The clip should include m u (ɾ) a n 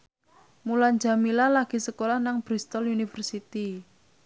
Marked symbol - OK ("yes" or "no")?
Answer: no